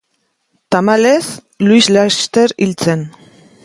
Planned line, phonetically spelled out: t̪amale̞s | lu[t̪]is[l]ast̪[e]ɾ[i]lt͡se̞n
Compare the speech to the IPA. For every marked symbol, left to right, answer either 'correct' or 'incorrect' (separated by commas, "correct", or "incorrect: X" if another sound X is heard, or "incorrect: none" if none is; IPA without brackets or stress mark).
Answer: incorrect: none, correct, correct, correct